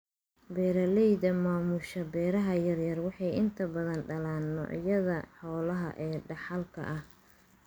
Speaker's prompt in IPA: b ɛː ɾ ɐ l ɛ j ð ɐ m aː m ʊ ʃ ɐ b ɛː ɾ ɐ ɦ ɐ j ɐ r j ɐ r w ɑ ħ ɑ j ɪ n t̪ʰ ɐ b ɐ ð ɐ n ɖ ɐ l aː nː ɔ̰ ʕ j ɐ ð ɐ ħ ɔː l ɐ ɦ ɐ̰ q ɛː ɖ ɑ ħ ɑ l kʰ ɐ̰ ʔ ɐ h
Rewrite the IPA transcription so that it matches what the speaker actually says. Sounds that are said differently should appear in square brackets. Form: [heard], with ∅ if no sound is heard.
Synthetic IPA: b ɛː ɾ ɐ l ɛ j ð ɐ m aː m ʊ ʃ ɐ b ɛː ɾ ɐ ɦ ɐ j ɐ r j ɐ r w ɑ ħ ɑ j ɪ n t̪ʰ ɐ b ɐ ð ɐ n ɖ ɐ l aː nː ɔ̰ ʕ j ɐ ð ɐ ħ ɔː l ɐ ɦ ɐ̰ [ʔ] ɛː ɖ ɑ ħ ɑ l kʰ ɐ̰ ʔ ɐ h